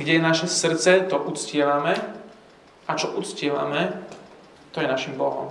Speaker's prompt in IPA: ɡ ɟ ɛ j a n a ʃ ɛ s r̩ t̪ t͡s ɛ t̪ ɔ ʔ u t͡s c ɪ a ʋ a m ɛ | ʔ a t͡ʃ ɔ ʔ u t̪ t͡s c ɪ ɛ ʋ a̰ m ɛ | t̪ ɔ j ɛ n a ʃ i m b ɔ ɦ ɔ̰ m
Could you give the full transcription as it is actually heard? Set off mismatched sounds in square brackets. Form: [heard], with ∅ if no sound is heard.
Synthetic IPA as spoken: ɡ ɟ ɛ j [ɛ] n a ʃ ɛ s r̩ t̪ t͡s ɛ t̪ ɔ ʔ u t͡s c ɪ [ɛ] ʋ a m ɛ | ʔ a t͡ʃ ɔ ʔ u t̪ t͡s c ɪ ɛ ʋ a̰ m ɛ | t̪ ɔ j ɛ n a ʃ i m b ɔ ɦ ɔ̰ m